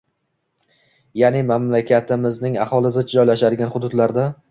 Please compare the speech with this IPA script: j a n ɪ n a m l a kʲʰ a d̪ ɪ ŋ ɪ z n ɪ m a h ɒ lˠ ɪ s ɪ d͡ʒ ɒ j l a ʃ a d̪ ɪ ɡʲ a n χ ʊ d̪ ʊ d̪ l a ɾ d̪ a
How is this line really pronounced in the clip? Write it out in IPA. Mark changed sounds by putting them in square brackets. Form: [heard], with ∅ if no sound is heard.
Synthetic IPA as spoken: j a n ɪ [m] a m l a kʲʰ a [t̪] ɪ [m] ɪ z n ɪ [ŋ] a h ɒ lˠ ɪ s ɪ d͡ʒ ɒ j l a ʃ a d̪ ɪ ɡʲ a n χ ʊ d̪ ʊ d̪ l a ɾ d̪ a